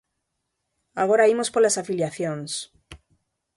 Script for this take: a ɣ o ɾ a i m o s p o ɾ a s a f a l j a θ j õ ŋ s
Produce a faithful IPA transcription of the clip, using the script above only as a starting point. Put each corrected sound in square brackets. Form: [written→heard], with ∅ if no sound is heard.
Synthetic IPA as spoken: a ɣ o ɾ a i m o s p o [ɾ→l] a s a f [a→i] l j a θ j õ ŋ s

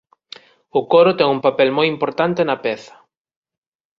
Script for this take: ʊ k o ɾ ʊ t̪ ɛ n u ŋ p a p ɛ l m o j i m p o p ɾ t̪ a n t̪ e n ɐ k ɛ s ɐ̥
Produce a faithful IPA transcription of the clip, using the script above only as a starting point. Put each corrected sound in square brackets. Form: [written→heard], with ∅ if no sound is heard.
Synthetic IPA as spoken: ʊ k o ɾ ʊ t̪ ɛ [n→ŋ] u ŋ p a p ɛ l m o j i m p o [p→∅] ɾ t̪ a n t̪ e n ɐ [k→p] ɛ [s→θ] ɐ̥

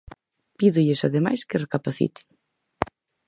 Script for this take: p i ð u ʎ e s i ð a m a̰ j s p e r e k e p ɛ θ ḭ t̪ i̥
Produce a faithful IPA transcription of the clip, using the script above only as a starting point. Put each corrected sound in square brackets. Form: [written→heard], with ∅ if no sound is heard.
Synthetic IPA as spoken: p i ð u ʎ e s [i→a] ð [a→e] m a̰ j s [p→k] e r e k [e→a] p [ɛ→a] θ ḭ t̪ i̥

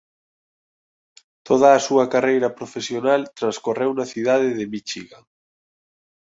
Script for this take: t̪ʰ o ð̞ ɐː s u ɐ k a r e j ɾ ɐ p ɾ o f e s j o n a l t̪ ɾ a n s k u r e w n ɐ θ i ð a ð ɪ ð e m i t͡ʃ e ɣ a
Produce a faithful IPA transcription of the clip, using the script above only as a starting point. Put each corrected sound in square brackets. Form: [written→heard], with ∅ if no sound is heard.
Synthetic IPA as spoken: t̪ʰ o ð̞ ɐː s u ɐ k a r e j ɾ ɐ p ɾ o f e s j o n a l t̪ ɾ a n s k [u→o] r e w n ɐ θ i ð a ð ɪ ð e m i t͡ʃ [e→i] ɣ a

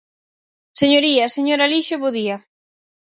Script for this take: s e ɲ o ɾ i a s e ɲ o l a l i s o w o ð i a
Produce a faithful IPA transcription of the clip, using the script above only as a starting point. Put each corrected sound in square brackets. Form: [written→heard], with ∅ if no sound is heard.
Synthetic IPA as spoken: s e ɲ o ɾ i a s e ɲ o [l→ɾ] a l i [s→ʃ] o [w→β] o ð i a

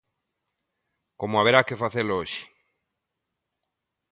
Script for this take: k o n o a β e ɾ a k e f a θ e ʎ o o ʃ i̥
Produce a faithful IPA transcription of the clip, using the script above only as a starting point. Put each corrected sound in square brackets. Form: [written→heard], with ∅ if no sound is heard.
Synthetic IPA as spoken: k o [n→m] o a β e ɾ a k e f a θ e [ʎ→l] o o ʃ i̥

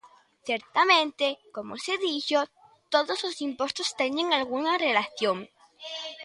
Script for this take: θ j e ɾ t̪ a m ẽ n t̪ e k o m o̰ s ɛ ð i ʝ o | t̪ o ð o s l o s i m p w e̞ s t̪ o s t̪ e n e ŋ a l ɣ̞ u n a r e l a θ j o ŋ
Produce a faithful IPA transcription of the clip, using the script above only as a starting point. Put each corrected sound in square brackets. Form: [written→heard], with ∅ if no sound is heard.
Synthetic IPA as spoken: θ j e ɾ t̪ a m ẽ n t̪ e k o m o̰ s [ɛ→e] ð i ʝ o | t̪ o ð o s l o s i m p w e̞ s t̪ o s t̪ e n e ŋ a l ɣ̞ u n a r e l a θ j o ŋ

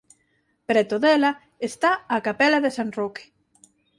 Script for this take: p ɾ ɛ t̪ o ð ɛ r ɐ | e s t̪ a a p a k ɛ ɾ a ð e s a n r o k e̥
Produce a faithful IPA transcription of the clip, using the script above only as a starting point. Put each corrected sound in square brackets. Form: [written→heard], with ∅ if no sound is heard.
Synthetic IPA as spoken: p ɾ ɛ t̪ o ð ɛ [r→l] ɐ | e s t̪ a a [p→k] a [k→p] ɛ [ɾ→l] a ð e s a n r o k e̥

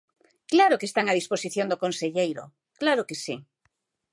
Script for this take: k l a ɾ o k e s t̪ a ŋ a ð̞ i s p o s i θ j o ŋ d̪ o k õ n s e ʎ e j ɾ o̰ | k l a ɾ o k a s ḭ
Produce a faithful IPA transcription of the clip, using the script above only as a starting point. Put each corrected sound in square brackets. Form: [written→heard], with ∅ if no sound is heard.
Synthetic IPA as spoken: k l a ɾ o k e s t̪ a ŋ a ð̞ i s p o s i θ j o [ŋ→n] d̪ o k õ n s e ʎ e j ɾ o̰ | k l a ɾ o k [a→e] s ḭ

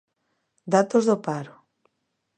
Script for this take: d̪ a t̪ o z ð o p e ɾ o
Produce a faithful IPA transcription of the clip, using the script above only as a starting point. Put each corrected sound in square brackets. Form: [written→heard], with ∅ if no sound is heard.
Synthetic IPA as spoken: d̪ a t̪ o z ð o p [e→a] ɾ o

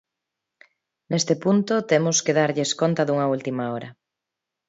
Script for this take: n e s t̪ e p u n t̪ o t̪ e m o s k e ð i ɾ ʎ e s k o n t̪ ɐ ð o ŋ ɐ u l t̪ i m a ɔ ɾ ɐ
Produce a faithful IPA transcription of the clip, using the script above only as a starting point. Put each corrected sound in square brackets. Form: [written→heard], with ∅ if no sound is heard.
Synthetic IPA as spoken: n e s t̪ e p u n t̪ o t̪ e m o s k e ð [i→a] ɾ ʎ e s k o n t̪ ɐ ð [o→u] ŋ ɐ u l t̪ i m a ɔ ɾ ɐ

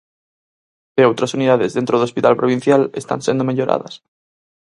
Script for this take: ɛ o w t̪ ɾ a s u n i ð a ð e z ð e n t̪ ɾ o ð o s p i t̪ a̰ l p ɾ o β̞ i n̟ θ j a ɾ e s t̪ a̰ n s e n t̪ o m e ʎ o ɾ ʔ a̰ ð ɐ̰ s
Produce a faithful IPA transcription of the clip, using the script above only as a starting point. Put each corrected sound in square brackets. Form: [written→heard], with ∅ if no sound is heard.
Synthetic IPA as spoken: [ɛ→e] o w t̪ ɾ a s u n i ð a ð e z ð e n t̪ ɾ o ð o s p i t̪ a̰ l p ɾ o β̞ i n̟ θ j a [ɾ→l] e s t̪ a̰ n s e n [t̪→d̪] o m e ʎ o ɾ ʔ a̰ ð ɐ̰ s

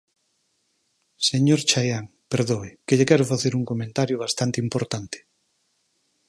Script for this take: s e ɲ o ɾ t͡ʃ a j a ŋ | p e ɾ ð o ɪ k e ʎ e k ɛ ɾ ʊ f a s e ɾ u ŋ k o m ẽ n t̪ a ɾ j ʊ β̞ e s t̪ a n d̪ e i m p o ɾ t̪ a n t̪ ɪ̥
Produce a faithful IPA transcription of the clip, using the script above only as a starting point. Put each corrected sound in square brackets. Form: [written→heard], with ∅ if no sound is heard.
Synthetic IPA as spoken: s e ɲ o ɾ t͡ʃ a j a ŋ | p e ɾ ð o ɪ k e ʎ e k ɛ ɾ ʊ f a [s→θ] e ɾ u ŋ k o m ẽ n t̪ a ɾ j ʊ β̞ [e→a] s t̪ a n [d̪→t̪] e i m p o ɾ t̪ a n t̪ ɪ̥

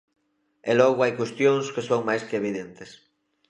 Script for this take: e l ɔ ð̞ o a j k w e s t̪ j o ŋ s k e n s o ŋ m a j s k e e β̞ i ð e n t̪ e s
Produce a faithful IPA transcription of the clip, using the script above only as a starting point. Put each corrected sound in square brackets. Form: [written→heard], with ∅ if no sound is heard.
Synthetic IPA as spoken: e l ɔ [ð̞→ɣ̞] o a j k w e s t̪ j o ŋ s k e [n→∅] s o ŋ m a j s k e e β̞ i ð e n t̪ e s

